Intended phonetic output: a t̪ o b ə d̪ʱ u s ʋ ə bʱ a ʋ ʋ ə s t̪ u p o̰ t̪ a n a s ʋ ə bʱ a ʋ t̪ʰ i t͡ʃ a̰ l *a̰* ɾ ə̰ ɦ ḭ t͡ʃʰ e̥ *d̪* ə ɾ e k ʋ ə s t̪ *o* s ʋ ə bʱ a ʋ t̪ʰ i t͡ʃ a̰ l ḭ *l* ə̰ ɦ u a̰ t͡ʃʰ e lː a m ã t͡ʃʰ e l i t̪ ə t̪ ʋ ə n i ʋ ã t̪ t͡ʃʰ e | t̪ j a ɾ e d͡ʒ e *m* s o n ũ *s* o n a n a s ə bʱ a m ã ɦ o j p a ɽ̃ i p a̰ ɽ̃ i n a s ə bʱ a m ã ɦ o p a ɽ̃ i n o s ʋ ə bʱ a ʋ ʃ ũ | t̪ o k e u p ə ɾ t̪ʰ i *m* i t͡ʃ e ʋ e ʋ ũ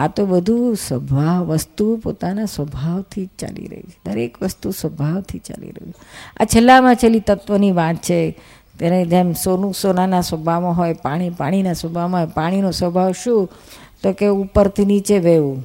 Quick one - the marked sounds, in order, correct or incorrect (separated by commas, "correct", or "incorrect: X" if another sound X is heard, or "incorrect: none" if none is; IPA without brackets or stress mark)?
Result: incorrect: ḭ, correct, incorrect: u, incorrect: ɾ, correct, correct, incorrect: n